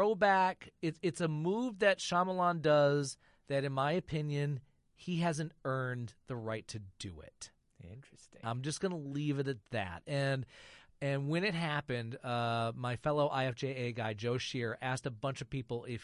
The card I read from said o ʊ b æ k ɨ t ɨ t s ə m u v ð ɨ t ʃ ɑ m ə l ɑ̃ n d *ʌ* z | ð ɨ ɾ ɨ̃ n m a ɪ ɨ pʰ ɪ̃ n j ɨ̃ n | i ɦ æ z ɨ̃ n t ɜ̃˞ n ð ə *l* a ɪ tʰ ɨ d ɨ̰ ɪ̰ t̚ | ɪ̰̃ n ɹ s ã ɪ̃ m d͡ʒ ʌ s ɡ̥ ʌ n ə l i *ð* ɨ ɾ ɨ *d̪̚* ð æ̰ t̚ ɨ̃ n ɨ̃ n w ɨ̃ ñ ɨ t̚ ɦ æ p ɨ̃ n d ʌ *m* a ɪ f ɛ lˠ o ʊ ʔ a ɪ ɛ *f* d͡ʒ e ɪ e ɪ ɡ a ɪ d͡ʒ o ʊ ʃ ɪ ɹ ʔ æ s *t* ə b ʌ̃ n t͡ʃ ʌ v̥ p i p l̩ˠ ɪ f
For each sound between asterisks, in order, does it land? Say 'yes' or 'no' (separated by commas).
yes, no, no, no, yes, yes, yes